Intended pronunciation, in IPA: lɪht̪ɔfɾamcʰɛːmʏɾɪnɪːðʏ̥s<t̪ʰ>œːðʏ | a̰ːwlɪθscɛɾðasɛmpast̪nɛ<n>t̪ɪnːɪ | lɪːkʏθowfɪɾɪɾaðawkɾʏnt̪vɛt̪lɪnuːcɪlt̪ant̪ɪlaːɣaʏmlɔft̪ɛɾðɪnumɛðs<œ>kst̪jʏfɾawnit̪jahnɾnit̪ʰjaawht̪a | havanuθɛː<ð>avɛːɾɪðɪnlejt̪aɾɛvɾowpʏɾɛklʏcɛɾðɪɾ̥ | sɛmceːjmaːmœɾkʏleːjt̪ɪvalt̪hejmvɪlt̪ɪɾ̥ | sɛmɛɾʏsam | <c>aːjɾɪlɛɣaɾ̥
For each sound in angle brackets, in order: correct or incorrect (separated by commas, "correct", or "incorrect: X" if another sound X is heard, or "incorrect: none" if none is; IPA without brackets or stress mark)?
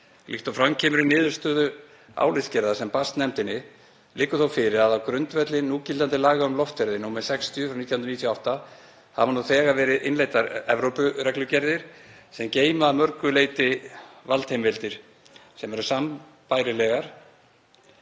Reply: incorrect: t̪, incorrect: m, incorrect: ɛ, incorrect: ɣ, incorrect: p